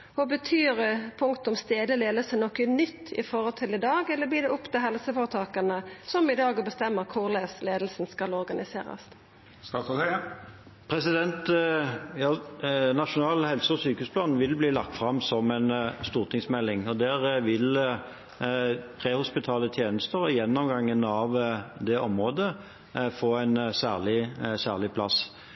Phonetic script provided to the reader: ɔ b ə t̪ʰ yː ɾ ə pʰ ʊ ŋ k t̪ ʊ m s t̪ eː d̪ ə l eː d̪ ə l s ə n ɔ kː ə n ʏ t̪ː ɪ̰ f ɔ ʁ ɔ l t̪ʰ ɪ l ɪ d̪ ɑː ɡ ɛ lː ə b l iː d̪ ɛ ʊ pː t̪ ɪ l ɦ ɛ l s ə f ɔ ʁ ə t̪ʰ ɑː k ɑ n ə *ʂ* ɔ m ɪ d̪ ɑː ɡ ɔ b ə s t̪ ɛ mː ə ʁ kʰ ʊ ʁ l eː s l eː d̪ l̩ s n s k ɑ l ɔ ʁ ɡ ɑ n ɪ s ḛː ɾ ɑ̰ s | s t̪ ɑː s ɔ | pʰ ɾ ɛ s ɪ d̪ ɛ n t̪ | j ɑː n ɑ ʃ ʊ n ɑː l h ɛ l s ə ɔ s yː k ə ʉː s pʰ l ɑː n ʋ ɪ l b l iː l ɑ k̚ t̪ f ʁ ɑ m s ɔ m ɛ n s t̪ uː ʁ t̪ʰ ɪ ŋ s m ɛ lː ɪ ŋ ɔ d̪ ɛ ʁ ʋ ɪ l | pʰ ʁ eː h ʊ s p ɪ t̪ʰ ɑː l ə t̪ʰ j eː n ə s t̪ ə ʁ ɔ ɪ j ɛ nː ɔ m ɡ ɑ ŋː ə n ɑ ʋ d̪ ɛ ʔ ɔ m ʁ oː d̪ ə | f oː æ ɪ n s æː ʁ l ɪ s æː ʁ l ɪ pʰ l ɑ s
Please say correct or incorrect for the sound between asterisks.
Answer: incorrect: s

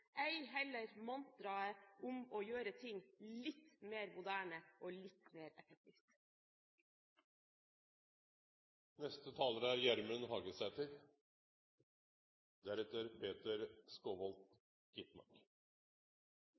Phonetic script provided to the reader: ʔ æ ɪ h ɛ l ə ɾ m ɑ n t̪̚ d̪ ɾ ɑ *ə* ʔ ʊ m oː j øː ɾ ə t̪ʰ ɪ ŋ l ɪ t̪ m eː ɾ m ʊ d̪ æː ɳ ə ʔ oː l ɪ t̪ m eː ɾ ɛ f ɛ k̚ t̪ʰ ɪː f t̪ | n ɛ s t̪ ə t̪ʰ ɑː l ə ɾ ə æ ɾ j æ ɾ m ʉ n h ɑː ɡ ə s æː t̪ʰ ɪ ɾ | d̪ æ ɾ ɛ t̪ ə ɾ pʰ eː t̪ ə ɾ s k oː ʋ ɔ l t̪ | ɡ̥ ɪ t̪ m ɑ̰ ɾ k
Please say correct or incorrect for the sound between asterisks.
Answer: correct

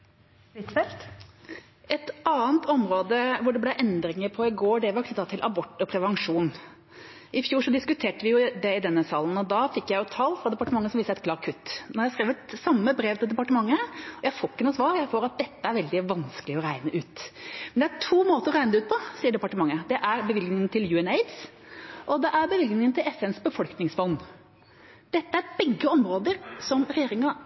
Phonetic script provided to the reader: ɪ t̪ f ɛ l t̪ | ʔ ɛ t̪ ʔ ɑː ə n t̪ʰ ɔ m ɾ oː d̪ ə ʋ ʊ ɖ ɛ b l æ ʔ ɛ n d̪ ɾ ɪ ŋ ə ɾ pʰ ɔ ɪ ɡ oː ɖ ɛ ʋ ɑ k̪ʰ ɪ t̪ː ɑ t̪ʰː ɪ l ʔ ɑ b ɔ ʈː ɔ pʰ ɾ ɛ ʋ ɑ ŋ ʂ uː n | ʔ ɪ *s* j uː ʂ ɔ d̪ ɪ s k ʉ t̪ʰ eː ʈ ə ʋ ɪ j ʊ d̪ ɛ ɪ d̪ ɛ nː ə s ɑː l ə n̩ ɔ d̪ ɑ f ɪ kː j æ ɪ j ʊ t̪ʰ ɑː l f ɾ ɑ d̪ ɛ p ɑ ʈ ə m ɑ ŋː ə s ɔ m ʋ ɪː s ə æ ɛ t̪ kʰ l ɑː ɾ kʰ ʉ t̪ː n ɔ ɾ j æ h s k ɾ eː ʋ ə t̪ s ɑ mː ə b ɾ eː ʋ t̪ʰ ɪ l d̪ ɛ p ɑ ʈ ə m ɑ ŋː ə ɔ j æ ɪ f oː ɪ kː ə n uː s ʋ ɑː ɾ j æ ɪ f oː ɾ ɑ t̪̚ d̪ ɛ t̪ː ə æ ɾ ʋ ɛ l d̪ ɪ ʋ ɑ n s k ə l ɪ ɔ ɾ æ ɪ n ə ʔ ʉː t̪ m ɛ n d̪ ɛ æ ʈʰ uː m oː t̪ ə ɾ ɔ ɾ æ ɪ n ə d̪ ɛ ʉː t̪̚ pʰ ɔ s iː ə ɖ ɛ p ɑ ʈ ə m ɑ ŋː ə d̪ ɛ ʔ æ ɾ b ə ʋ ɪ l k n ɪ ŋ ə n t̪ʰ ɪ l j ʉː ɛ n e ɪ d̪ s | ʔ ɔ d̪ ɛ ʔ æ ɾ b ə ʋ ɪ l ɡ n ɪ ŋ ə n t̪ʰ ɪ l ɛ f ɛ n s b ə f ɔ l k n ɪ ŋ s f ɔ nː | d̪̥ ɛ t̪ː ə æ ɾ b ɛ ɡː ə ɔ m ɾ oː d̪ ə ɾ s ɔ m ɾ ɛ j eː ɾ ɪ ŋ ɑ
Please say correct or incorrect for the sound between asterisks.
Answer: incorrect: f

